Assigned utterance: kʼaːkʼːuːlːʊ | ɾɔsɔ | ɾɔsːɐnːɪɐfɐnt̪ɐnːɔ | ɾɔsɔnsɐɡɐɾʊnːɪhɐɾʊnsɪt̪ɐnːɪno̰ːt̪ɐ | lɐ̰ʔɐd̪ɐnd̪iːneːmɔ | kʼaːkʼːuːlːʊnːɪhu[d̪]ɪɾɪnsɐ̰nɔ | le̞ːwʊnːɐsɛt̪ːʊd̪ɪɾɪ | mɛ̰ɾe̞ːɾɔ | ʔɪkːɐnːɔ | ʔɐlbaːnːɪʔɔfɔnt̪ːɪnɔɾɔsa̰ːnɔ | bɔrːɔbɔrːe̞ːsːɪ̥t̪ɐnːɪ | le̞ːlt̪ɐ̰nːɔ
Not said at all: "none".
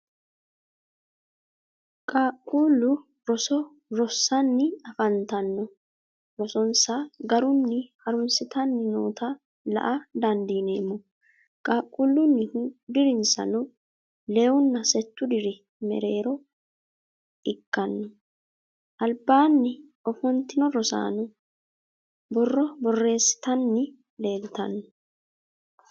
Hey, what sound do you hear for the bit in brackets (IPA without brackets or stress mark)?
d̪